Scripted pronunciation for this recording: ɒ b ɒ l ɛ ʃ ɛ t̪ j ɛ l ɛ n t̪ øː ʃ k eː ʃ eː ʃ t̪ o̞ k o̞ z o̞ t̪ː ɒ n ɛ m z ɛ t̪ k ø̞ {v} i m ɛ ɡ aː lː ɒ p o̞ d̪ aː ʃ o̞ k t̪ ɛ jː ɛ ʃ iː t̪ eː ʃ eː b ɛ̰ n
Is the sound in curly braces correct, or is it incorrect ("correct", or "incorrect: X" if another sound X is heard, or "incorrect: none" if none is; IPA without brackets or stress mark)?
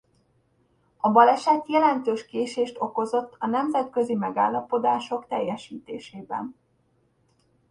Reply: incorrect: z